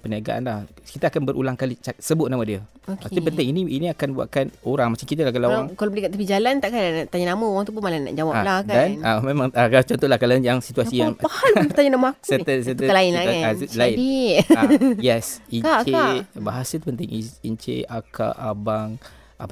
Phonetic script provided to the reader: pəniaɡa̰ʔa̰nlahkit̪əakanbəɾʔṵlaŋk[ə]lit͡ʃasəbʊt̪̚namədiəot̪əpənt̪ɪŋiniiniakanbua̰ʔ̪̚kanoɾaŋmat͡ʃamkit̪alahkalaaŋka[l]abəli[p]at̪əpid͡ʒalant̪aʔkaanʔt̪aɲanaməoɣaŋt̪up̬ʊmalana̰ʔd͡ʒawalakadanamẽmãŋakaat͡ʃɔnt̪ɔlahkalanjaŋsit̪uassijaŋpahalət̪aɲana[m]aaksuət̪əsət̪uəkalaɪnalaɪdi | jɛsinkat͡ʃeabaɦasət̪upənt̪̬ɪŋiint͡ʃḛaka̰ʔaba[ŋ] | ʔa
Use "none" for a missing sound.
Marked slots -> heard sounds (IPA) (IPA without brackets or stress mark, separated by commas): a, l, k, m, ŋ